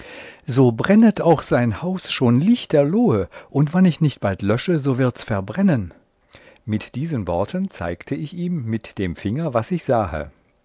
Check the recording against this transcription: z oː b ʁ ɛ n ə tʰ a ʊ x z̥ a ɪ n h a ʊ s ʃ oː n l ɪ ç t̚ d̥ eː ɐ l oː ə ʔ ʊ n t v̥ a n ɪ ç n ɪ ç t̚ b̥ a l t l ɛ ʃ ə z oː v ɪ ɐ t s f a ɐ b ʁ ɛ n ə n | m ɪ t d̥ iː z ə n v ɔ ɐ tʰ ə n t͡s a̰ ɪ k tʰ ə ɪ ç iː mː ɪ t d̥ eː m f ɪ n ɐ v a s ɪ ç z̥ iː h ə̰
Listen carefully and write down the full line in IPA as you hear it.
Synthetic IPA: z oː b ʁ ɛ n ə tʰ a ʊ x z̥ a ɪ n h a ʊ s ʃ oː n l ɪ ç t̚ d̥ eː ɐ l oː ə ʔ ʊ n t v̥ a n ɪ ç n ɪ ç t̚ b̥ a l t l œ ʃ ə z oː v ɪ ɐ t s f ɛ ɐ b ʁ ɛ n ə n | m ɪ t d̥ iː z ə n v ɔ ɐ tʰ ə n t͡s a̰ ɪ k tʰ ə ɪ ç iː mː ɪ t d̥ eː m f ɪ ŋ ɐ v a s ɪ ç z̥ aː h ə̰